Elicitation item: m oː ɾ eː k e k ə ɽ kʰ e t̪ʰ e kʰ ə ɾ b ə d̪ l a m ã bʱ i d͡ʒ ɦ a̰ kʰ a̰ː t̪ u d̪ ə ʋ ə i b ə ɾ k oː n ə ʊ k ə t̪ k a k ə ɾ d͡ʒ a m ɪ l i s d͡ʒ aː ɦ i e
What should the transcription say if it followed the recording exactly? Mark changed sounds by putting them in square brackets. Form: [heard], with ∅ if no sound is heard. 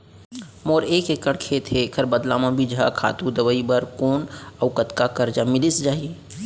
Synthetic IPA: m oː ɾ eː k e k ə ɽ kʰ e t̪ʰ e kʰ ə ɾ b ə d̪ l a m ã bʱ i d͡ʒ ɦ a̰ kʰ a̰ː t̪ u d̪ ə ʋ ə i b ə ɾ k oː n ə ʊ k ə t̪ k a k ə ɾ d͡ʒ a m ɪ l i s d͡ʒ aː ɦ i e